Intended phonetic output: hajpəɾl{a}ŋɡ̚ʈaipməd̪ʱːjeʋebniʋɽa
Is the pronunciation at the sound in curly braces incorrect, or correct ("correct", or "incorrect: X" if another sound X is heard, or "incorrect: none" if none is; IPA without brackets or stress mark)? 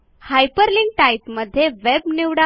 incorrect: i